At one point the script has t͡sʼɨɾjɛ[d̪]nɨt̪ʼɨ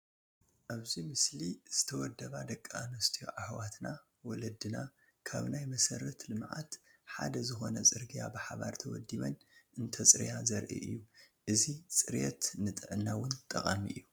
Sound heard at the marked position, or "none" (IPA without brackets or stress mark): t̪